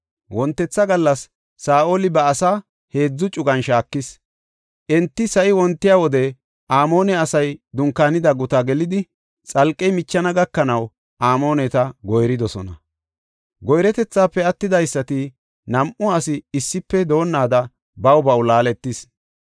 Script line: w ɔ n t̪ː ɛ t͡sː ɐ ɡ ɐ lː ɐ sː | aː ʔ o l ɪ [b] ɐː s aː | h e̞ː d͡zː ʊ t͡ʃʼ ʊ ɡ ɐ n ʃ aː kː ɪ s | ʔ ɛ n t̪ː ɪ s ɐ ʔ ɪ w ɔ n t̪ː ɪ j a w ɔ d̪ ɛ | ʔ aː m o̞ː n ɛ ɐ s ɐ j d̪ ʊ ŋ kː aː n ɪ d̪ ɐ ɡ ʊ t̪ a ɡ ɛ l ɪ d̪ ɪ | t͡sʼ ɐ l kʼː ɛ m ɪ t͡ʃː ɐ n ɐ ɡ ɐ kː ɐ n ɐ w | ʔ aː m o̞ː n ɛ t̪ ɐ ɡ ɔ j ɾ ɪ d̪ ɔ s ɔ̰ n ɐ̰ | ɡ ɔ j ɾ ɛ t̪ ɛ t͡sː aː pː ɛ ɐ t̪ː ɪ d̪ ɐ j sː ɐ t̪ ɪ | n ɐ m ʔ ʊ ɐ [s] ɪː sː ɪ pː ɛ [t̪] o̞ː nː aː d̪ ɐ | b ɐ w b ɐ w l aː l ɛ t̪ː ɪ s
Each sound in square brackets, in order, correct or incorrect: correct, correct, incorrect

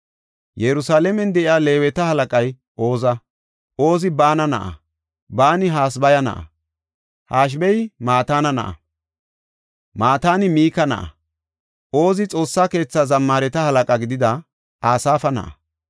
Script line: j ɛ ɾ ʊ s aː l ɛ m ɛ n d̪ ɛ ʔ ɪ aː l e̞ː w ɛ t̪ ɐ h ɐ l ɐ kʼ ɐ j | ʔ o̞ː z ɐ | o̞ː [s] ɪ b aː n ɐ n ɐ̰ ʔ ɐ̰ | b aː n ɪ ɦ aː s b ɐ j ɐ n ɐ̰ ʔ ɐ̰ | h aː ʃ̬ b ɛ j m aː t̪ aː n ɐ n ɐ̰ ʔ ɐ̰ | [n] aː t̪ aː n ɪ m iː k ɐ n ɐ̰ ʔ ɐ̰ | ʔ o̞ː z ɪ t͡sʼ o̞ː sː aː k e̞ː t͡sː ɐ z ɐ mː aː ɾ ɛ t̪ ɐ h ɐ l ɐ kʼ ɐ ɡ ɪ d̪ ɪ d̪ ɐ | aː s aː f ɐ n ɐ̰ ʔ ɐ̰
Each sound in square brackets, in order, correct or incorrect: incorrect, incorrect

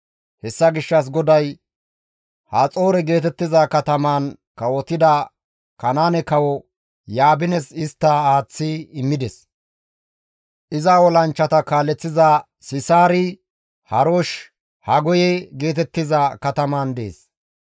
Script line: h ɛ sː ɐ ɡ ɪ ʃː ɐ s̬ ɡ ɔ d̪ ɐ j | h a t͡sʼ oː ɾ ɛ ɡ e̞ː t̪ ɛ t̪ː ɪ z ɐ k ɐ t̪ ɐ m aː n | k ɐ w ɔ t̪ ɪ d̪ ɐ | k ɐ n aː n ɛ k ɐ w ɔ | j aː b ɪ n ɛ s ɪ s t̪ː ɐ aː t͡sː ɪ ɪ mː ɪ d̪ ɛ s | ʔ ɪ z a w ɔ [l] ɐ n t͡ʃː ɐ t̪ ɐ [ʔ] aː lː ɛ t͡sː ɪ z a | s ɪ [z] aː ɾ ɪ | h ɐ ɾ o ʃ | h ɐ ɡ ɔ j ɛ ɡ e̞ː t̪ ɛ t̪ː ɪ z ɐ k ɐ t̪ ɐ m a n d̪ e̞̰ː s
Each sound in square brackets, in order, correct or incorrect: correct, incorrect, incorrect

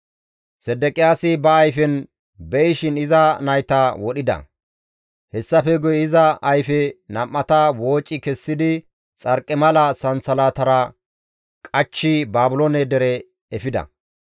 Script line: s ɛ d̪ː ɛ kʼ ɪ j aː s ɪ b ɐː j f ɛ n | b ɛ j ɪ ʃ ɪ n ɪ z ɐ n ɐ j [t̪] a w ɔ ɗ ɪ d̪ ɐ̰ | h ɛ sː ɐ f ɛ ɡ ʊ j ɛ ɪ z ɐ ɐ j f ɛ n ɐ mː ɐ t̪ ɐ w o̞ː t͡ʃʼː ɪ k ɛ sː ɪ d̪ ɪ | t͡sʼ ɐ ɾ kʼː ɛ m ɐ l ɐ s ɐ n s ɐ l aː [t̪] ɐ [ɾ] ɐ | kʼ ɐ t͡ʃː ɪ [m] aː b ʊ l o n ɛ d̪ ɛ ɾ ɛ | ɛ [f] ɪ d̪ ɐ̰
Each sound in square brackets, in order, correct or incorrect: correct, correct, correct, incorrect, correct

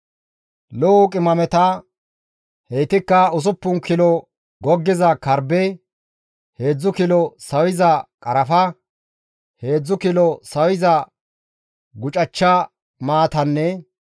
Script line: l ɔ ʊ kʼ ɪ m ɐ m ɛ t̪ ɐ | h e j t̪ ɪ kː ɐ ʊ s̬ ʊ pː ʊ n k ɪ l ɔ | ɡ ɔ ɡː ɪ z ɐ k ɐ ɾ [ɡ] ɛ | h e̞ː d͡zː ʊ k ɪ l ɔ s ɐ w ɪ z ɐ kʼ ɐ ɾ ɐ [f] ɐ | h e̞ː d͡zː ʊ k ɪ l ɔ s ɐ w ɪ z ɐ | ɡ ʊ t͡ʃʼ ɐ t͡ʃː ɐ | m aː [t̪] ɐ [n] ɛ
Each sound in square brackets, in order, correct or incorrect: incorrect, correct, correct, incorrect

